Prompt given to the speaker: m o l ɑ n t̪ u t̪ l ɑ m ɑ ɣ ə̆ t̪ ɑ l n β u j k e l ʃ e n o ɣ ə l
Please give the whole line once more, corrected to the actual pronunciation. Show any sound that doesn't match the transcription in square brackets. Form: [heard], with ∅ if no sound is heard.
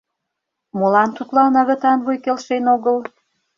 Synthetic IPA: m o l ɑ n t̪ u t̪ l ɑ [n] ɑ ɣ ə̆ t̪ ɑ [∅] n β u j k e l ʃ e n o ɣ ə l